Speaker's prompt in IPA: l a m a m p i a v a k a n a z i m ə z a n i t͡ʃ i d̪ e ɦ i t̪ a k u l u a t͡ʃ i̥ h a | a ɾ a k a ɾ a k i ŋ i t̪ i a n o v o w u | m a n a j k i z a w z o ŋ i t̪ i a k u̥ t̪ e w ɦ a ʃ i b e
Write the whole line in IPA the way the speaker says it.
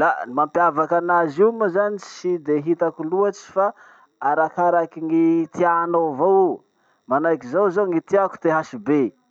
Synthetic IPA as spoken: l a m a m p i a v a k a n a z i m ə z a n i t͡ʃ i d̪ e ɦ i t̪ a k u l u a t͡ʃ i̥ f a | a ɾ a k a ɾ a k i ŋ i t̪ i a n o v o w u | m a n a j k i z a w z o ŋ i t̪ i a k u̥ t̪ e ɦ a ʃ i b e